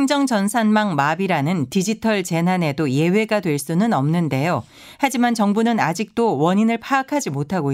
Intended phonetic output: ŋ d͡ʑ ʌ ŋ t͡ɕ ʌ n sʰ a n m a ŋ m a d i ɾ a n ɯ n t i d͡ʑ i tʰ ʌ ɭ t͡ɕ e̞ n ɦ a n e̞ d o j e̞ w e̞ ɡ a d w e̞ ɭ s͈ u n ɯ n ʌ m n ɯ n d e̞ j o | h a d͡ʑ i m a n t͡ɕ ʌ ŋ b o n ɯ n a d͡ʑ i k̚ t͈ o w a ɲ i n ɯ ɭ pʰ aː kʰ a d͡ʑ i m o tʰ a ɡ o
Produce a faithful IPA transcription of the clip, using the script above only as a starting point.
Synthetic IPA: ŋ d͡ʑ ʌ ŋ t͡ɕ ʌ n sʰ a n m a ŋ m a b i ɾ a n ɯ n t i d͡ʑ i tʰ ʌ ɭ t͡ɕ e̞ n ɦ a n e̞ d o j e̞ w e̞ ɡ a d w e̞ ɭ s͈ u n ɯ n ʌ m n ɯ n d e̞ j o | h a d͡ʑ i m a n t͡ɕ ʌ ŋ b u n ɯ n a d͡ʑ i k̚ t͈ o w ʌ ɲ i n ɯ ɭ pʰ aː kʰ a d͡ʑ i m o tʰ a ɡ o